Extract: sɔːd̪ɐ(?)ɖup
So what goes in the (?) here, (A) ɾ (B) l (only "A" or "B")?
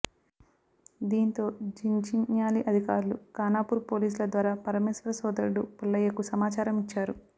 A